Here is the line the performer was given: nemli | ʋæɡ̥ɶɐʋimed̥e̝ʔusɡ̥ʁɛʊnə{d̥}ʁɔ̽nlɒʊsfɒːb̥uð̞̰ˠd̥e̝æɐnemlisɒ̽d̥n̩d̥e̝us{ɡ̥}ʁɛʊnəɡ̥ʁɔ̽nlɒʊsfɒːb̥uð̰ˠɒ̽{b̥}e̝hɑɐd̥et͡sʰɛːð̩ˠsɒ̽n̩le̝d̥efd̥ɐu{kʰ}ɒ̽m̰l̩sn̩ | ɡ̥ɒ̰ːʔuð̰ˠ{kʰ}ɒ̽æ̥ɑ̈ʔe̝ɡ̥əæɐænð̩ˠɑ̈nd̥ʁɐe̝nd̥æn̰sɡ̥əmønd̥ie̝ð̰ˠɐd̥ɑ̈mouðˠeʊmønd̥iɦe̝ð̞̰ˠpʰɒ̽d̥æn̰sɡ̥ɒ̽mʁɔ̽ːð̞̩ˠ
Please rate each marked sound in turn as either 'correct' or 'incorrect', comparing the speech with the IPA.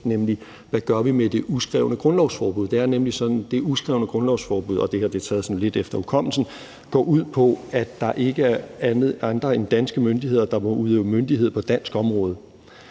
incorrect: ɡ̥, correct, incorrect: d̥, correct, incorrect: pʰ

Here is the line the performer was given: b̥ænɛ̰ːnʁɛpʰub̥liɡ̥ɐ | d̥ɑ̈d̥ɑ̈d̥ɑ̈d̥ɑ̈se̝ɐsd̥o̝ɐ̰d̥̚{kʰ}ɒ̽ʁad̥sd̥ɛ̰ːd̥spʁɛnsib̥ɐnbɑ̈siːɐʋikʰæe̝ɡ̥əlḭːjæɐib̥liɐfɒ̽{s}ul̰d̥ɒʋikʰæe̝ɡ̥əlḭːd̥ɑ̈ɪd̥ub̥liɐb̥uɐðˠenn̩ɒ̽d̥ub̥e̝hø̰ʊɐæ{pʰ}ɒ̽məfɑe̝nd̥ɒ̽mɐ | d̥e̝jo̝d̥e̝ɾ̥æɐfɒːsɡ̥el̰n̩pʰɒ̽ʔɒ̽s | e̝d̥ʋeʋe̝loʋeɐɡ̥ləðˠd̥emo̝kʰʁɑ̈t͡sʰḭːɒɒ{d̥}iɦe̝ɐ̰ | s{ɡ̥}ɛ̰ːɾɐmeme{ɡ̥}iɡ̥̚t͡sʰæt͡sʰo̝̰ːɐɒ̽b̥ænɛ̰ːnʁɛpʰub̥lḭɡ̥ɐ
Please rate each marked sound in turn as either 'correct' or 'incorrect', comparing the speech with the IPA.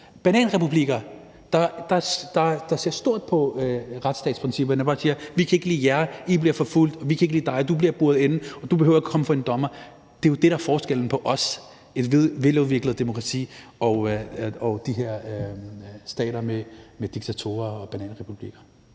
incorrect: pʰ, incorrect: f, incorrect: kʰ, correct, incorrect: d̥, incorrect: d̥

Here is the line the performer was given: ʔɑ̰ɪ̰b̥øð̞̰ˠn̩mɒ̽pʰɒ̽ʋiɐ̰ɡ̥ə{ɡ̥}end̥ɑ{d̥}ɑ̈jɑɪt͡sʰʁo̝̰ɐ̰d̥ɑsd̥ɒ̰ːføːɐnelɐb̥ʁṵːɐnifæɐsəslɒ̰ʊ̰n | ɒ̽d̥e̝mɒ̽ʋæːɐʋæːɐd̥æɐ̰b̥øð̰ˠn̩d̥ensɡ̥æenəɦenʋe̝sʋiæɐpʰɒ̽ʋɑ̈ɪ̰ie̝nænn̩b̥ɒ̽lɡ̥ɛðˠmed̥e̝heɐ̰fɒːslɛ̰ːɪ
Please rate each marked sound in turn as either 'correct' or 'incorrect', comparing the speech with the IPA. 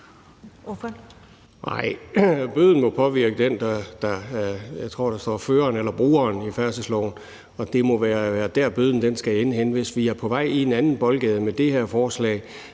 incorrect: d̥, correct

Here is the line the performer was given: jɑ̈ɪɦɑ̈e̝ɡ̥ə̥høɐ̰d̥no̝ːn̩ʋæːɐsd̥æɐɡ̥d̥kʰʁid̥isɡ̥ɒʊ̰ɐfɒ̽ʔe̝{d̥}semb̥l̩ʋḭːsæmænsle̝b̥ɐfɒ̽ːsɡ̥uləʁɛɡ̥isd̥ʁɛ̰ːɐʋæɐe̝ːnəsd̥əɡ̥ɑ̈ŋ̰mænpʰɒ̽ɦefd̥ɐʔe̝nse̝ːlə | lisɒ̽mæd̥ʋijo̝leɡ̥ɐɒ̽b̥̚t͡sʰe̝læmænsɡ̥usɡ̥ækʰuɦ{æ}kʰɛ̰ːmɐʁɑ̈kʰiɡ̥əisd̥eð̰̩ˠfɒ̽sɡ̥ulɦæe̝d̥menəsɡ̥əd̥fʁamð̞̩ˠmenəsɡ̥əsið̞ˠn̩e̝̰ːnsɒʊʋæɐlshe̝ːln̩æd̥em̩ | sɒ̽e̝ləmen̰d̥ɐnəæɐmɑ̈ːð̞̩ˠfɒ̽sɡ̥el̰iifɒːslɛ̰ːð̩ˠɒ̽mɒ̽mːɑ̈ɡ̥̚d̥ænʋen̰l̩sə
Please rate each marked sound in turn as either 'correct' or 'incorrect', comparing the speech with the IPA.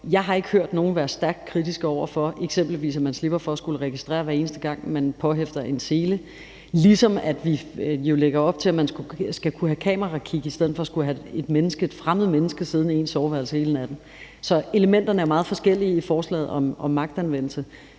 incorrect: ɡ̥, correct

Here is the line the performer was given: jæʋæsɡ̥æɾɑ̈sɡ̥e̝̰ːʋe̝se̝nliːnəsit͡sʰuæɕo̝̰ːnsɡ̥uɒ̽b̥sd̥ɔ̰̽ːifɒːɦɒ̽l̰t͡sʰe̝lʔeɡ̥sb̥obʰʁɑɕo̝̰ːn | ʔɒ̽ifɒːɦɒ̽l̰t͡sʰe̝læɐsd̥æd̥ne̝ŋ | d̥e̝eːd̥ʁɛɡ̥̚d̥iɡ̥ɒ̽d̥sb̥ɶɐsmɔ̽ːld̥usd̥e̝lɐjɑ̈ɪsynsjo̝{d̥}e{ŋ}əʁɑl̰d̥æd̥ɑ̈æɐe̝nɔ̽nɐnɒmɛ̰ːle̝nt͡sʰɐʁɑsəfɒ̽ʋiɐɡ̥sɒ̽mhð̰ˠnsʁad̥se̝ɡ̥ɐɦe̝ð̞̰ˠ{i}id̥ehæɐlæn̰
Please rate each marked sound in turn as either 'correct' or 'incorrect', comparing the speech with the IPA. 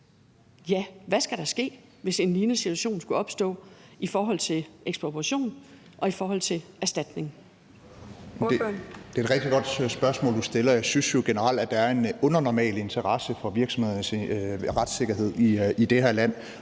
incorrect: ɡ̥, incorrect: n, correct

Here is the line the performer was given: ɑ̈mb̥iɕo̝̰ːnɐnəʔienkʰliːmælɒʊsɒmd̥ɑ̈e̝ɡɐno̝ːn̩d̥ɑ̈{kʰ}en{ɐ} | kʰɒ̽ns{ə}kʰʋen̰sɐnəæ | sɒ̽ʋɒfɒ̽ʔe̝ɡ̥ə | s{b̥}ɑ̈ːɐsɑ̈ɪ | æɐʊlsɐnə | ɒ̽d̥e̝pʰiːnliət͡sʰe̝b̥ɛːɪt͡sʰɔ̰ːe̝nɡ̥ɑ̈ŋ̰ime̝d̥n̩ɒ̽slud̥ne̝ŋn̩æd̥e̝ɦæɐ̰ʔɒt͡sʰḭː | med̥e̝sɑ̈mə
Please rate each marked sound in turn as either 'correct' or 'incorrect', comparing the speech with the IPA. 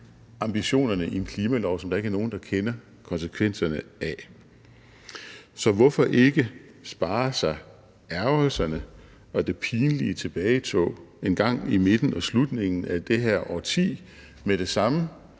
correct, correct, correct, correct

